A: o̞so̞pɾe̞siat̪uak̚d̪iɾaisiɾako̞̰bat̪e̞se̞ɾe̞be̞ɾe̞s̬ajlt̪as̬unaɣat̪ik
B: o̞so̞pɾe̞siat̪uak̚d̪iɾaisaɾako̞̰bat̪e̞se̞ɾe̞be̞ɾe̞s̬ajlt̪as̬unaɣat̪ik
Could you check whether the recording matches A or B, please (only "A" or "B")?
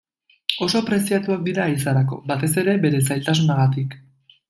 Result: B